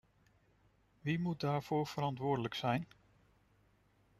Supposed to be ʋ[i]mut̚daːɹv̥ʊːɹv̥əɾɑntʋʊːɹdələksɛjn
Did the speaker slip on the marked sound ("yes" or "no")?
no